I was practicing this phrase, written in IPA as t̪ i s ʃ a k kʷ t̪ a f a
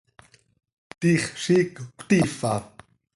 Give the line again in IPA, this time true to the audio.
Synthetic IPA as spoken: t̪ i χ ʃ i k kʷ t̪ i f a